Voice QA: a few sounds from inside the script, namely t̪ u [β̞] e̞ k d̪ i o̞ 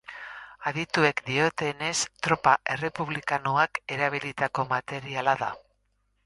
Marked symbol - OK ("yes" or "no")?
no